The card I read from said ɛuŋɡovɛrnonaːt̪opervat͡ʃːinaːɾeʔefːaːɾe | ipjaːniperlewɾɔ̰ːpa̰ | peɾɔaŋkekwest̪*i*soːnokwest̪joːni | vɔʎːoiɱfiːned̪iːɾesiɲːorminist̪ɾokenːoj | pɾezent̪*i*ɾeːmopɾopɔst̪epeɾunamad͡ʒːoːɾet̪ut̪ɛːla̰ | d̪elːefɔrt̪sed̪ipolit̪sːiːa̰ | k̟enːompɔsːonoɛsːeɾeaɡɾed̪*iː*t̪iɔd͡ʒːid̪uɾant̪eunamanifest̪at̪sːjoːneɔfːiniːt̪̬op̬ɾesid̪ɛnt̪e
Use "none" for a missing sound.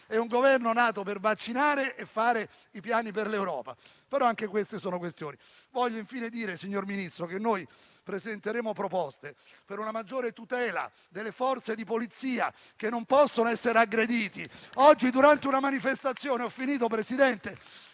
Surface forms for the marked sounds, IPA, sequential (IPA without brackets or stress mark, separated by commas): e, e, iː